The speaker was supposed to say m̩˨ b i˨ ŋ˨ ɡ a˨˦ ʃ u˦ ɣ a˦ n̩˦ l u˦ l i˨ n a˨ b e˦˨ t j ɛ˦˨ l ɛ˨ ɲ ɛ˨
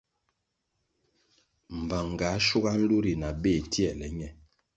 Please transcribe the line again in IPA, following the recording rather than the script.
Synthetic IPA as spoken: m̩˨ b a˨ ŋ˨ ɡ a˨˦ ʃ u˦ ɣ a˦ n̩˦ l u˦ ɾ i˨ n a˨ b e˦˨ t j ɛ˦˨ l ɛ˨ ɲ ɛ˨